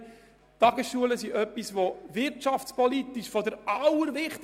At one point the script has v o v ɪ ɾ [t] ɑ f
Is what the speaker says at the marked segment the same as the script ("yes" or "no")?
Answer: yes